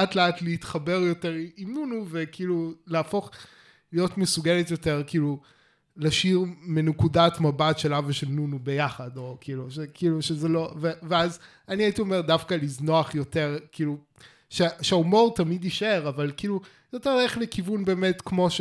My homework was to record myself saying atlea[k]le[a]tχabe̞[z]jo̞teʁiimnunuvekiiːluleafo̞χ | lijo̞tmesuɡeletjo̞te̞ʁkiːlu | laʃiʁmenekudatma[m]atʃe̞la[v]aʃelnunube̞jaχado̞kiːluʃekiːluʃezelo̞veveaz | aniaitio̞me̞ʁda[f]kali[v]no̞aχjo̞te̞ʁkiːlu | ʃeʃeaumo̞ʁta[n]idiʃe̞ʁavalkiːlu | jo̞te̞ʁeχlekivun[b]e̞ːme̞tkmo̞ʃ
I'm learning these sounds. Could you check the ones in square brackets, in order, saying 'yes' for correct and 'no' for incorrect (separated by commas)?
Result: no, no, no, no, yes, yes, no, no, yes